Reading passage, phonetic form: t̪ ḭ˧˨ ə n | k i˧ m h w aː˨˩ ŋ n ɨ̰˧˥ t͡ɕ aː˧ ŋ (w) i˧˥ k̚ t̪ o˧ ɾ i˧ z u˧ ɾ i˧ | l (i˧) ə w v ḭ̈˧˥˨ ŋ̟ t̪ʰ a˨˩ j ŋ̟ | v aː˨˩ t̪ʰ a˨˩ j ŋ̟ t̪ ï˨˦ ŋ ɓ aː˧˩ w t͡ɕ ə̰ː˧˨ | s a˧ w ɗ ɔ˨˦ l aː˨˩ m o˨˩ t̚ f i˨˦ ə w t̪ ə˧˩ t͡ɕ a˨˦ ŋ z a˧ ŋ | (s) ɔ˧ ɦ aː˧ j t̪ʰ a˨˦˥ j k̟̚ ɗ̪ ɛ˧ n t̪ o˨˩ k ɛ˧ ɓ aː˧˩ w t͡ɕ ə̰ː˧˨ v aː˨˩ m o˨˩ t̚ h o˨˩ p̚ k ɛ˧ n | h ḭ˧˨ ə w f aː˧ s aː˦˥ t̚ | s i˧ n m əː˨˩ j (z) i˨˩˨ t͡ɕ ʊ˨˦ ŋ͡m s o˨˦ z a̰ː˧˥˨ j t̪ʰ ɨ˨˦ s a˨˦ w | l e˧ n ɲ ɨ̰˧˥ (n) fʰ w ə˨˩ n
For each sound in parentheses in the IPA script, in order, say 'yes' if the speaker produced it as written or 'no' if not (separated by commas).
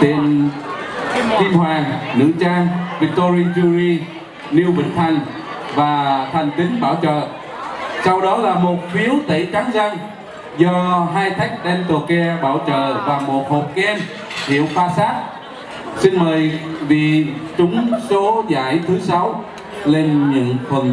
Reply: no, yes, no, no, no